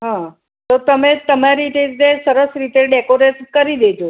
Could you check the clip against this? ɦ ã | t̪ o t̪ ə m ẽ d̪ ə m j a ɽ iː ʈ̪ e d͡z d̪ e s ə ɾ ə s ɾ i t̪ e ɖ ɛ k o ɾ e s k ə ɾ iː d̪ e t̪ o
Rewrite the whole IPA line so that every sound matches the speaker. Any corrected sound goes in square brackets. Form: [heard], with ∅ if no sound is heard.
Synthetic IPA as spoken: ɦ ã | t̪ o t̪ ə m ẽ [t̪] ə m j a [ɾ] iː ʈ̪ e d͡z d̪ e s ə ɾ ə s ɾ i t̪ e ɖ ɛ k o ɾ e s k ə ɾ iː d̪ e t̪ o